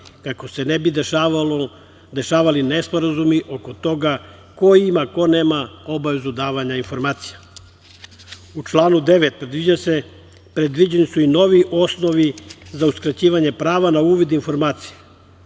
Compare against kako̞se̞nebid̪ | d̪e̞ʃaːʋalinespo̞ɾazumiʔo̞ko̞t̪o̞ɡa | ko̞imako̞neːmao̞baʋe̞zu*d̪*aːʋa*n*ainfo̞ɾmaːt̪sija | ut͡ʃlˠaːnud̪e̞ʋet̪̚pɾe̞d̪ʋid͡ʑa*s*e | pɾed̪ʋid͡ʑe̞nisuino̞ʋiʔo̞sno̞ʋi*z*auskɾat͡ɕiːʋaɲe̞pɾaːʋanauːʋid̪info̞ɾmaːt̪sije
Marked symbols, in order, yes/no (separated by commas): yes, no, yes, yes